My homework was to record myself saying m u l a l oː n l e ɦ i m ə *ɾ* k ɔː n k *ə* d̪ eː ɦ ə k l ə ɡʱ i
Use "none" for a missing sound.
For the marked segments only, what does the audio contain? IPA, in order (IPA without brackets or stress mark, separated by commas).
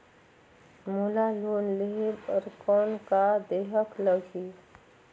ɾ, a